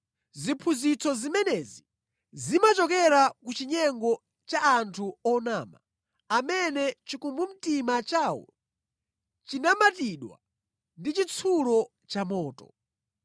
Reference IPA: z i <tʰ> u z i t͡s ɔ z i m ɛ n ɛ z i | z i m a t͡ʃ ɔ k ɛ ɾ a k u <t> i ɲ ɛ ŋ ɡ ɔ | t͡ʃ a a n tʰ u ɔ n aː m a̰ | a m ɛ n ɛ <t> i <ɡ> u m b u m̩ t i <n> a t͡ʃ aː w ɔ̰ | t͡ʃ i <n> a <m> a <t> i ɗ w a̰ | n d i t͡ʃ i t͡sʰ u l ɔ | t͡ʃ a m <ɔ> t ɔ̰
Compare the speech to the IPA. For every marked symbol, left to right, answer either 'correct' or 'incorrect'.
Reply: incorrect, incorrect, incorrect, incorrect, incorrect, correct, correct, correct, incorrect

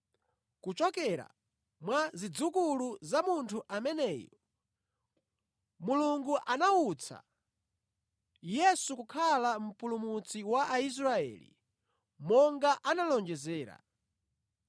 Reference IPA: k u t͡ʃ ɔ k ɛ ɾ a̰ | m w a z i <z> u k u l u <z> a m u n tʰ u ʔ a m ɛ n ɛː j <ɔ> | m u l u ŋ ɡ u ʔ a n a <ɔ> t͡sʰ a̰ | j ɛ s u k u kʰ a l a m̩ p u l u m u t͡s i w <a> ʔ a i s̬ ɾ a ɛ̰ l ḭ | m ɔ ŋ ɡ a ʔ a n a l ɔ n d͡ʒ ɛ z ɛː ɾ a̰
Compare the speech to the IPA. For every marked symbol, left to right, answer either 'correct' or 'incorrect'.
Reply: incorrect, correct, correct, incorrect, correct

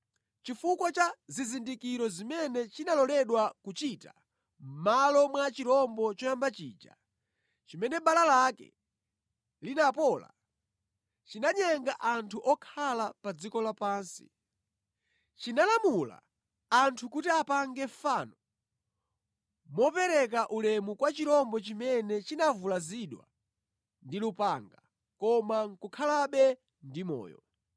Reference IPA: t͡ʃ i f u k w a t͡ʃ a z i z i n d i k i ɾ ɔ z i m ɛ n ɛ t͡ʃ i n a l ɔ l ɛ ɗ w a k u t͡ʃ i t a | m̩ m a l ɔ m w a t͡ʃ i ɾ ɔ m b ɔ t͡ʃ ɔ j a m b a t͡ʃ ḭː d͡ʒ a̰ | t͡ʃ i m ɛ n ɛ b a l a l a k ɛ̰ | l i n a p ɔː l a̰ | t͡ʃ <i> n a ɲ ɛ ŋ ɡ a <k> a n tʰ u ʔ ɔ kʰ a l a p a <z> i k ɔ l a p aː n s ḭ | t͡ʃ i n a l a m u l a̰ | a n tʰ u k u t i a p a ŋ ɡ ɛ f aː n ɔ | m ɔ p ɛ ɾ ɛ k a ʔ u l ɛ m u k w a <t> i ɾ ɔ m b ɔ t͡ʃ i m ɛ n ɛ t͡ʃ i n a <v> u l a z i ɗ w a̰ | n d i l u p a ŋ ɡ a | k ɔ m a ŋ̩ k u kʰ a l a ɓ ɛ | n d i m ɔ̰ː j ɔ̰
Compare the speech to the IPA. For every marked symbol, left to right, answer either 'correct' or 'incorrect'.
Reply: correct, incorrect, incorrect, incorrect, correct

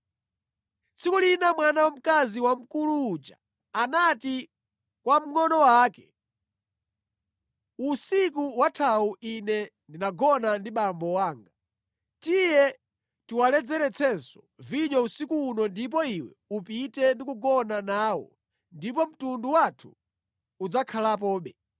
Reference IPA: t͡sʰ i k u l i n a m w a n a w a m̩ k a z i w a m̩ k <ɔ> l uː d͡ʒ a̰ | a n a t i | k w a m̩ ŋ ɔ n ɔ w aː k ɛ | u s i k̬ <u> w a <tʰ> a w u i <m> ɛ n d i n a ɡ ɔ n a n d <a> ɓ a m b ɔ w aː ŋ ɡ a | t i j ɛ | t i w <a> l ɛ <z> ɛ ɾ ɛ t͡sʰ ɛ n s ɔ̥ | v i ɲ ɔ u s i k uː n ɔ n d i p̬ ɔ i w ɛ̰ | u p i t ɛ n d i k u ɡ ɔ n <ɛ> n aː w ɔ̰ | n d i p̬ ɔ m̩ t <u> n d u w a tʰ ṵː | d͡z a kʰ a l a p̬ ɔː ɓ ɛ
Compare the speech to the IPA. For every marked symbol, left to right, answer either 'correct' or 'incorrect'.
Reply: incorrect, correct, correct, incorrect, incorrect, correct, incorrect, incorrect, correct

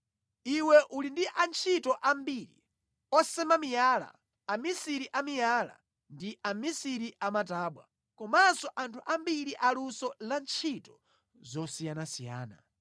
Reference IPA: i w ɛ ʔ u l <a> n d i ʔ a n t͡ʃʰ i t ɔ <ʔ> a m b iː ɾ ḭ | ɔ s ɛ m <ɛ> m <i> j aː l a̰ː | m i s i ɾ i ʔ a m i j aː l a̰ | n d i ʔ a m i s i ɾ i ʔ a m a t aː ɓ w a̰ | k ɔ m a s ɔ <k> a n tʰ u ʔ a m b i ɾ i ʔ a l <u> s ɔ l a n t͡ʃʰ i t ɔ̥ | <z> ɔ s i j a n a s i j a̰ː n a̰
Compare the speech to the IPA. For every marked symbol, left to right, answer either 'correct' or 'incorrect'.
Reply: incorrect, correct, incorrect, correct, incorrect, correct, correct

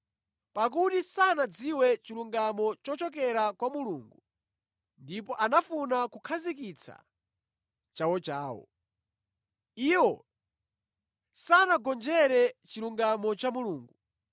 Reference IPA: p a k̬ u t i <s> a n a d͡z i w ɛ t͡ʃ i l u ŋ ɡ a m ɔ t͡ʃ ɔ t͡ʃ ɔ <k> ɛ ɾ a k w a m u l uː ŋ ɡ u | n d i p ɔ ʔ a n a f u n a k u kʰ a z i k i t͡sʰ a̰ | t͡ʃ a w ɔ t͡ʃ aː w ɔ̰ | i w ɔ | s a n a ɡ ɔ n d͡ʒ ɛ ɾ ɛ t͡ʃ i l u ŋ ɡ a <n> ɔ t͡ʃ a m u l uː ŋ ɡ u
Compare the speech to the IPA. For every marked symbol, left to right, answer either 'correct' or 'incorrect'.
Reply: correct, correct, incorrect

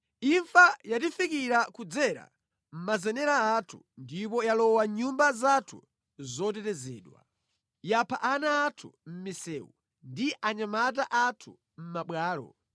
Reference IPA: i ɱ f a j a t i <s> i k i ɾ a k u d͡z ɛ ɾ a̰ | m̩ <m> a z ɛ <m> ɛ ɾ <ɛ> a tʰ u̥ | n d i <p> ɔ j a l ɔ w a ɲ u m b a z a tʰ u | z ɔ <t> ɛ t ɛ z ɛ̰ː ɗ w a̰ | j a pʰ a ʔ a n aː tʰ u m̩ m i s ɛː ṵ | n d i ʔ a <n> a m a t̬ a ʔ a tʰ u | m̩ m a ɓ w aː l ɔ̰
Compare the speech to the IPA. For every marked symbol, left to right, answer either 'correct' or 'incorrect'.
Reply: incorrect, correct, incorrect, incorrect, correct, correct, incorrect

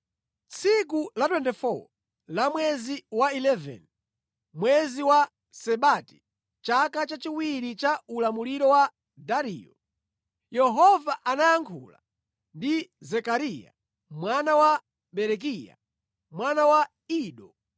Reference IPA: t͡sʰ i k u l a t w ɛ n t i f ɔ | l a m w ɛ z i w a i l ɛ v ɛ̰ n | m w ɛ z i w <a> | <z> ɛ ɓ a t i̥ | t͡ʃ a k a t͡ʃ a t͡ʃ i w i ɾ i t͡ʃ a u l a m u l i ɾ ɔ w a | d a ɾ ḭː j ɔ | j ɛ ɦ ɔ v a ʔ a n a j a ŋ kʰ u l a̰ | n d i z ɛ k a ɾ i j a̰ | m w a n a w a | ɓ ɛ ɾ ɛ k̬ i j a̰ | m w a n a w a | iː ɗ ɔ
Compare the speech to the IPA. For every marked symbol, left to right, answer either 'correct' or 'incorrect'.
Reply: correct, incorrect

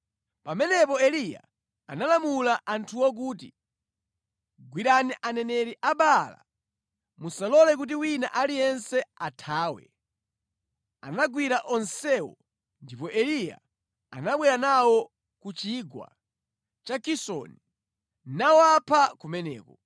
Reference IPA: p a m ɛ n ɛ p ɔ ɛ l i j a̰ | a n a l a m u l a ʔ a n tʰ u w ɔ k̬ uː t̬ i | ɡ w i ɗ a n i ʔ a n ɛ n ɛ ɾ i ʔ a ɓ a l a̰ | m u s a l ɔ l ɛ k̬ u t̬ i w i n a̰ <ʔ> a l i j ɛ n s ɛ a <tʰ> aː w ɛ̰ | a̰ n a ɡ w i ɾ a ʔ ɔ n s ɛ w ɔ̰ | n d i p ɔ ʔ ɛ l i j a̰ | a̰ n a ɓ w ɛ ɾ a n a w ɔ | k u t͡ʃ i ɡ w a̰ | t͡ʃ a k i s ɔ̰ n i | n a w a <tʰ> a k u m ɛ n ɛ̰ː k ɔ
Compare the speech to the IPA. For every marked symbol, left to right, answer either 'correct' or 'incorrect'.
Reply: correct, correct, incorrect

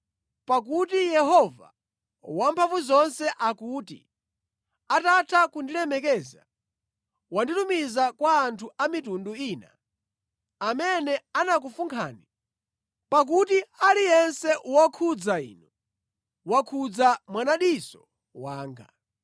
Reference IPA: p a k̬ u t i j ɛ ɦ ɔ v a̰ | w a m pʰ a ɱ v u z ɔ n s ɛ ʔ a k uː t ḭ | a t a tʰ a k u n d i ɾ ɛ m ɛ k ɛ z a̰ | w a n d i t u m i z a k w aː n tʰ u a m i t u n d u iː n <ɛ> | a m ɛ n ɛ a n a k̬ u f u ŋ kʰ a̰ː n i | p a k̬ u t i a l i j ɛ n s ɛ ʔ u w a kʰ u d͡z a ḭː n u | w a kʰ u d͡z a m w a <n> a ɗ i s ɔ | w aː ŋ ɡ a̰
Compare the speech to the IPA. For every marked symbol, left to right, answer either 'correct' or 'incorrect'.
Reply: incorrect, correct

